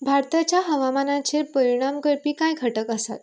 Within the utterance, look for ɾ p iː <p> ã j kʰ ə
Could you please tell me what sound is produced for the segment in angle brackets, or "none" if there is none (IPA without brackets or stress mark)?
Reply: k